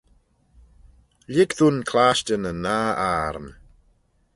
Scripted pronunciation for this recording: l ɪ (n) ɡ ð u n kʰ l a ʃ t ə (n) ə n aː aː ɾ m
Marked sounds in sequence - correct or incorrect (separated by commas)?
incorrect, correct